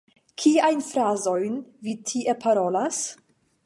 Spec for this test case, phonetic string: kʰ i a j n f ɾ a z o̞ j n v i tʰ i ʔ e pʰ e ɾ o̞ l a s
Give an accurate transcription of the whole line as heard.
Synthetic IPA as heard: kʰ i a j n f ɾ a z o̞ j n v i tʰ i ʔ e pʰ a ɾ o̞ l a s